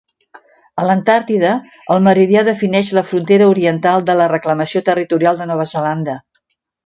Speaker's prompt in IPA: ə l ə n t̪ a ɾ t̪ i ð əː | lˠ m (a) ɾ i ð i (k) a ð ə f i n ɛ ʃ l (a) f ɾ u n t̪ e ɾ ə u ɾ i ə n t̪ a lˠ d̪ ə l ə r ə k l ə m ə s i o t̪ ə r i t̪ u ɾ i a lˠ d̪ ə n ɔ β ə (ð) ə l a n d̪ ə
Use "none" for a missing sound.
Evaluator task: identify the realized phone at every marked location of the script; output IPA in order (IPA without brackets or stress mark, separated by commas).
ə, none, ə, z